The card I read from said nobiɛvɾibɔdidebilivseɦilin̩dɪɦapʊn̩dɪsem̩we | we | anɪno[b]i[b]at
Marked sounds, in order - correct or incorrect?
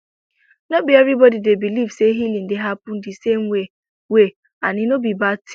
correct, correct

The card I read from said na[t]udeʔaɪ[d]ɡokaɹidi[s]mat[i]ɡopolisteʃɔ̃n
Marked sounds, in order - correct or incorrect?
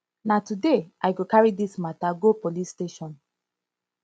correct, incorrect, correct, incorrect

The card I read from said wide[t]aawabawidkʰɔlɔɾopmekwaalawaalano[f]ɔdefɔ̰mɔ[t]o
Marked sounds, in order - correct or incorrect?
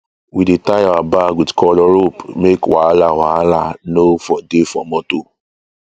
correct, correct, correct

